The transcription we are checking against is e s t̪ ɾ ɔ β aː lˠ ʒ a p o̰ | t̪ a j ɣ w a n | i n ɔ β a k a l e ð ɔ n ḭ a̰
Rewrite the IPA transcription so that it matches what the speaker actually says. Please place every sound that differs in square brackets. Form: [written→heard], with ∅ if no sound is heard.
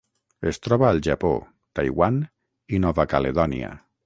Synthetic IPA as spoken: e s t̪ ɾ ɔ β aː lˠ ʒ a p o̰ | t̪ a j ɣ w a n | i n ɔ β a k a l e ð ɔ n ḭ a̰